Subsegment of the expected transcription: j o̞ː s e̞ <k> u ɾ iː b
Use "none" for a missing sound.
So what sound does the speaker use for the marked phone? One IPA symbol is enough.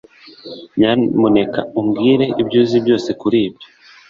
k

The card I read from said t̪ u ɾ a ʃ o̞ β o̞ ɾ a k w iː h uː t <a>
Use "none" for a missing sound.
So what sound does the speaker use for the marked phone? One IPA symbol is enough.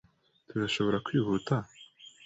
a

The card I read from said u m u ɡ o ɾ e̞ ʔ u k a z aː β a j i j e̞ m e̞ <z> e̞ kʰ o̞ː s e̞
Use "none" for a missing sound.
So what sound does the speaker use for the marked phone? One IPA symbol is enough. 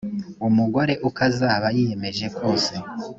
ʒ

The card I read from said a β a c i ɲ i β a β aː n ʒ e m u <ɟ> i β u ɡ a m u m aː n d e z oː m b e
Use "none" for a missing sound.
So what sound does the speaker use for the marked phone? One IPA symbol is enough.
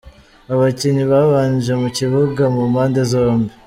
c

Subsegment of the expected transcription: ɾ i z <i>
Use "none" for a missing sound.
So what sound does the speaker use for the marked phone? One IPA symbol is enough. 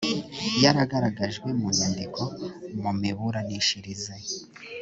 e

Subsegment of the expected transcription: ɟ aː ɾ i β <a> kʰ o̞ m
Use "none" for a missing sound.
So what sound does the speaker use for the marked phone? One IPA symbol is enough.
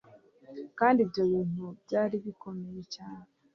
i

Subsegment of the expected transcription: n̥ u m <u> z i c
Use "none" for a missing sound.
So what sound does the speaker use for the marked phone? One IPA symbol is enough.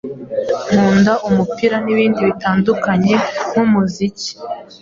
u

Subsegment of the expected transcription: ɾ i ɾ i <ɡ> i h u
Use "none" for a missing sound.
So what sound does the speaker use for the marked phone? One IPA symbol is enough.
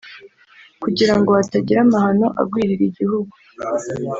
ɟ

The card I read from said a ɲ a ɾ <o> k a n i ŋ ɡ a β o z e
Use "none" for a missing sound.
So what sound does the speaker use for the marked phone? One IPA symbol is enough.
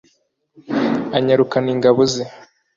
u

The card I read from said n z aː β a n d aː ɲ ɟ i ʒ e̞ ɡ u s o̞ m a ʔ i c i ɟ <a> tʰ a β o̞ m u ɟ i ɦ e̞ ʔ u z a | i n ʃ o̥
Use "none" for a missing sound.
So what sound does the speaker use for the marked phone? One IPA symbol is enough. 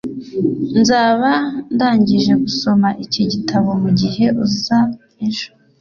i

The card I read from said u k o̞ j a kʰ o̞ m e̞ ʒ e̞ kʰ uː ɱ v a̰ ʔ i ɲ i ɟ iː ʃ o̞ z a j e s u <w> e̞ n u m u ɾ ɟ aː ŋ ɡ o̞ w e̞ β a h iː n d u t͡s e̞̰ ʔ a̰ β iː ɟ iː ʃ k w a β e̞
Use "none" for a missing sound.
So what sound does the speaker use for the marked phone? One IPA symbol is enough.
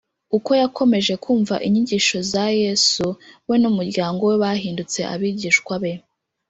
w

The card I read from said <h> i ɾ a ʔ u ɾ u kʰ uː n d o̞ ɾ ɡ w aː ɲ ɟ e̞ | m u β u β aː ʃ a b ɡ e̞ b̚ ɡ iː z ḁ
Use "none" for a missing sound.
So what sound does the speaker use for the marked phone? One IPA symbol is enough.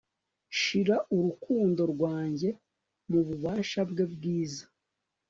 ʃ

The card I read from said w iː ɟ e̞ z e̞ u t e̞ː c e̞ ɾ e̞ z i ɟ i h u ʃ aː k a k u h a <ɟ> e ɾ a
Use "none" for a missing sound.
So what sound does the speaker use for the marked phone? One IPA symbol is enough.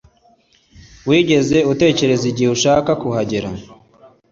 ɟ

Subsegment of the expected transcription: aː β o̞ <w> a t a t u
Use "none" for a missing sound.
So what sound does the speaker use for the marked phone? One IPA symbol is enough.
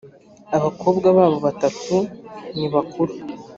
β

